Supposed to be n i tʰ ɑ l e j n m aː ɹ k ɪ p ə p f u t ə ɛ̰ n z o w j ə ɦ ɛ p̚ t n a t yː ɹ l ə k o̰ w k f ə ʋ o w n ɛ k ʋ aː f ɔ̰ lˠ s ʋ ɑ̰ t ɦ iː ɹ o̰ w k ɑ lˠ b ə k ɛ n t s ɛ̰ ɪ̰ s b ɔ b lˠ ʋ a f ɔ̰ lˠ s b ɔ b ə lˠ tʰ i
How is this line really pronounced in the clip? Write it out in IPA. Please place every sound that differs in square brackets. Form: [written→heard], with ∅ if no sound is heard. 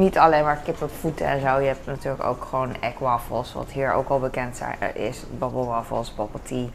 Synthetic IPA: n i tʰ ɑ l e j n m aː ɹ k ɪ p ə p f u t ə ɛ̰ n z o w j ə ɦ ɛ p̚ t n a t yː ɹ l ə k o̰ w k [f→χ] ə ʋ o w n ɛ k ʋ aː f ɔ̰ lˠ s ʋ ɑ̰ t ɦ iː ɹ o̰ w k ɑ lˠ b ə k ɛ n t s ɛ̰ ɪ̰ s b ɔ b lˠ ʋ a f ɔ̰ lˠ s b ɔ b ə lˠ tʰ i